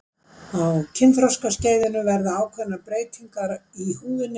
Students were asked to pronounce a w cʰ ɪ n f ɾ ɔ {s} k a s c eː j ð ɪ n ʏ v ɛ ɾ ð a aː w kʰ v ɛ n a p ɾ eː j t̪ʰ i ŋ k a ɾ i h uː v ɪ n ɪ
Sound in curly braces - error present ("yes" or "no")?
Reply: no